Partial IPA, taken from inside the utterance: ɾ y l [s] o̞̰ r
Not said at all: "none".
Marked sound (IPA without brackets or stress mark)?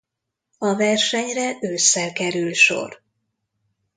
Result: ʃ